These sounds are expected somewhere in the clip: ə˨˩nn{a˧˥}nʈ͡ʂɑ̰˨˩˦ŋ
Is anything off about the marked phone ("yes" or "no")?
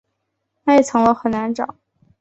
no